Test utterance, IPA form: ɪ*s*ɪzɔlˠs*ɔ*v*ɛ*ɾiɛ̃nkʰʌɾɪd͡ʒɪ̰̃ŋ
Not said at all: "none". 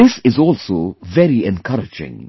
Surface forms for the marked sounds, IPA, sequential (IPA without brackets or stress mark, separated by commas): s, o, ɛ